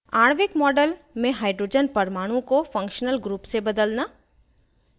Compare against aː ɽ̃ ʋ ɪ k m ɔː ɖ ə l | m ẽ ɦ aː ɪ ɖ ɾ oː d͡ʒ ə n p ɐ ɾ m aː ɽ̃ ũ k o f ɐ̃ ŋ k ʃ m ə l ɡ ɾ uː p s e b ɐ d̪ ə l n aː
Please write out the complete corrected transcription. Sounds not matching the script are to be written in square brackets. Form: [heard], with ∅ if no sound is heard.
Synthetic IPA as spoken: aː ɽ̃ ʋ ɪ k m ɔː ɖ ə l | m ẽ ɦ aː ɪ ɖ ɾ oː d͡ʒ ə n p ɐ ɾ m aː ɽ̃ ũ k o f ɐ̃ ŋ k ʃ [n] ə l ɡ ɾ uː p s e b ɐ d̪ ə l n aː